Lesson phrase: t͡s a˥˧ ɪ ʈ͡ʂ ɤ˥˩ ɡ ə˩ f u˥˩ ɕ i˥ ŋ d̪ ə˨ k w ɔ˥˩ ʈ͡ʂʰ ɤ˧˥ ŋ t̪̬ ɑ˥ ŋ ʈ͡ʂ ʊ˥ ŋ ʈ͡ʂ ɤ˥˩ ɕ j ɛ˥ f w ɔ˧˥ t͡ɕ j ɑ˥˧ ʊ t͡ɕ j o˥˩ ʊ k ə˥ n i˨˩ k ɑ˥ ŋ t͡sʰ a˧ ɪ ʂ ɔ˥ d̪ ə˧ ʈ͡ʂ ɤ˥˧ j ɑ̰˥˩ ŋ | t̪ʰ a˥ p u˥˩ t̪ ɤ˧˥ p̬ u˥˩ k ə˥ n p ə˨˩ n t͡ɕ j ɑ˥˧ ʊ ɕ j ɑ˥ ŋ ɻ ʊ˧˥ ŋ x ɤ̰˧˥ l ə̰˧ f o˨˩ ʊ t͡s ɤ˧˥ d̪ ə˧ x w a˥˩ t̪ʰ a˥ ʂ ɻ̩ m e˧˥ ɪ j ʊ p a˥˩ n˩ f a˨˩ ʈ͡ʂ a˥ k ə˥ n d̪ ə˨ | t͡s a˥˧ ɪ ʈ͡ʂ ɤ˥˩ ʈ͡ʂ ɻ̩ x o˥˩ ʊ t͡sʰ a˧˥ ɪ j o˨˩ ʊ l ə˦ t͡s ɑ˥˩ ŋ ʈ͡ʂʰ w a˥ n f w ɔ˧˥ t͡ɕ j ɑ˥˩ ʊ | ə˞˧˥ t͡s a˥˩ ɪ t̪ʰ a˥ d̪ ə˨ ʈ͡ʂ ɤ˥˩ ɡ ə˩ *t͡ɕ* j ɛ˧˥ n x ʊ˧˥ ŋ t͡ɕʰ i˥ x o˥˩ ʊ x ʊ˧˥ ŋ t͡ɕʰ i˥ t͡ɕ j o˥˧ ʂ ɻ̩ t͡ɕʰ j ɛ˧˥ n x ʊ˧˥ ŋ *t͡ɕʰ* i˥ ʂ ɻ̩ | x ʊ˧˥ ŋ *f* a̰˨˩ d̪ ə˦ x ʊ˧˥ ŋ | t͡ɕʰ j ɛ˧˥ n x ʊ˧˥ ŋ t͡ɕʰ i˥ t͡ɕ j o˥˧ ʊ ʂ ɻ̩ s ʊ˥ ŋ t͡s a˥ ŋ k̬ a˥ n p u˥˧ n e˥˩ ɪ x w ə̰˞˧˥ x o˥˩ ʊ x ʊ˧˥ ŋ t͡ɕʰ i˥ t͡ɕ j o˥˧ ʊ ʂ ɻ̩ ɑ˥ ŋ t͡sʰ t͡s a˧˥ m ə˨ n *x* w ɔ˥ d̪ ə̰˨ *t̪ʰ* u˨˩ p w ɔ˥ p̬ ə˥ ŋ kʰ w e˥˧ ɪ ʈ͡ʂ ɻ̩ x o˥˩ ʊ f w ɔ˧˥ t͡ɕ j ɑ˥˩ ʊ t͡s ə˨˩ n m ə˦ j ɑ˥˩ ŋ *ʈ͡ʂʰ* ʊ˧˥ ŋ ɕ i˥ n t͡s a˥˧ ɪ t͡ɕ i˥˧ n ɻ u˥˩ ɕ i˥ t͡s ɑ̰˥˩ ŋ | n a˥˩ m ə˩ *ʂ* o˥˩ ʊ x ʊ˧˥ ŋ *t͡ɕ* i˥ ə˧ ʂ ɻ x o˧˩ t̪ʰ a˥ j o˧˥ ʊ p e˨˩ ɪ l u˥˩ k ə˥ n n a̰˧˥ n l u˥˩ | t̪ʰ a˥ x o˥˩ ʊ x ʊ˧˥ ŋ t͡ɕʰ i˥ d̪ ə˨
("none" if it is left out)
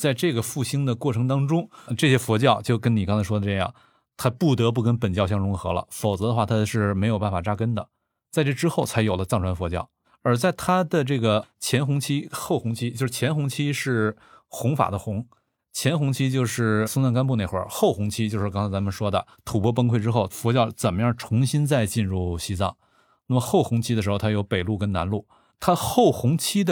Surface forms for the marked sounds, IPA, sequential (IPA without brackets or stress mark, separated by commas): t͡ɕʰ, t͡ɕʰ, f, ʂ, t̪ʰ, ʈ͡ʂʰ, x, t͡ɕʰ